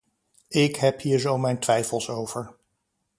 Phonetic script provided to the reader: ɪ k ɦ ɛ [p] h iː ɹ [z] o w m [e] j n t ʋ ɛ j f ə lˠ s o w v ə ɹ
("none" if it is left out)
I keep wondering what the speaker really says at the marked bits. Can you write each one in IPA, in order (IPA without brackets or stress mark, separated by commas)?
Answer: p, z, ɛ